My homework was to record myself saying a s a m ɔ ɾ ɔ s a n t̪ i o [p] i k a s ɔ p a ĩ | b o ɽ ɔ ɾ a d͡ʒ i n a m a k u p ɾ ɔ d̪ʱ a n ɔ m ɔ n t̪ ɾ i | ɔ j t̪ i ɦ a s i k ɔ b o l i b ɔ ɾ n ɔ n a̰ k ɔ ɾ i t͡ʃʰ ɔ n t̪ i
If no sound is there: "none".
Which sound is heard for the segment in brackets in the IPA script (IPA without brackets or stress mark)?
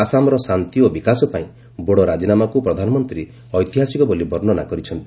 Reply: b